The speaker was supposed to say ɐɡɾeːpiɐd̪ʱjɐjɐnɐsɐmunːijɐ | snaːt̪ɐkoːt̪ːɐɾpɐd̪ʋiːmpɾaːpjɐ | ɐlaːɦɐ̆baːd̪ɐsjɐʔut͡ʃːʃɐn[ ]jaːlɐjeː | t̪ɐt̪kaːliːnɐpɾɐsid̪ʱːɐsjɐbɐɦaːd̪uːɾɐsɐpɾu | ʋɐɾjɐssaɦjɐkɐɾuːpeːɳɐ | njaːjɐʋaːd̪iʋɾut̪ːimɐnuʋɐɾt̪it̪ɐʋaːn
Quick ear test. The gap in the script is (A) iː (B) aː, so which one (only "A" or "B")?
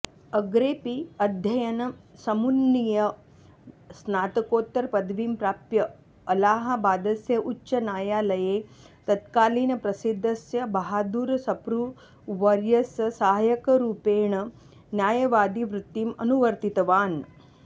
B